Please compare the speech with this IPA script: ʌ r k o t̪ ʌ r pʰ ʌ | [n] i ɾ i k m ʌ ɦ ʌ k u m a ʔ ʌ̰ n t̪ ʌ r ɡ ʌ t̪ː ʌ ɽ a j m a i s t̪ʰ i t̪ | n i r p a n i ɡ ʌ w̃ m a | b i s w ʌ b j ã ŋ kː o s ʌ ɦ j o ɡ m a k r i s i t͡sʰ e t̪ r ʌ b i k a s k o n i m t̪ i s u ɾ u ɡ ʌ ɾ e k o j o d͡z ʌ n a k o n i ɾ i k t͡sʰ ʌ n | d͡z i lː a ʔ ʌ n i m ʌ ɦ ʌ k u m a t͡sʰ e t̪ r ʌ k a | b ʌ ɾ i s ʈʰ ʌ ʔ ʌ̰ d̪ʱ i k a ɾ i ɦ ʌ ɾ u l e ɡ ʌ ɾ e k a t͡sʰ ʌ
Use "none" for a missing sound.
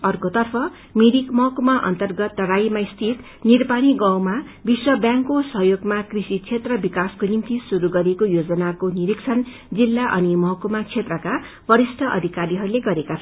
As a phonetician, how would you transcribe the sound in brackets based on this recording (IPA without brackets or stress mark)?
m